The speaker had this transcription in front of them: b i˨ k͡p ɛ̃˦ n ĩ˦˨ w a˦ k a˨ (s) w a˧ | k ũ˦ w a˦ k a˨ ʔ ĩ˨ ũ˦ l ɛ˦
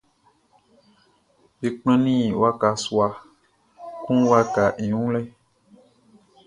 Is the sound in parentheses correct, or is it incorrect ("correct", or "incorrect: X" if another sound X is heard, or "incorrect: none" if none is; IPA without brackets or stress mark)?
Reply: correct